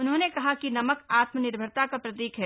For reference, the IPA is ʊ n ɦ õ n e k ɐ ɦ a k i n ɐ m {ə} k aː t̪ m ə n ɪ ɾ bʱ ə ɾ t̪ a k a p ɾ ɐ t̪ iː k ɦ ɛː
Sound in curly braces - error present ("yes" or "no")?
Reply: no